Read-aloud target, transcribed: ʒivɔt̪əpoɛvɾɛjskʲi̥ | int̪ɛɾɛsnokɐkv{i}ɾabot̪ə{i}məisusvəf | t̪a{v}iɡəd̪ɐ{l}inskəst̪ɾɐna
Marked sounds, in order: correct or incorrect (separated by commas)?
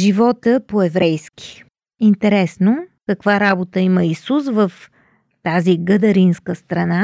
incorrect, correct, incorrect, incorrect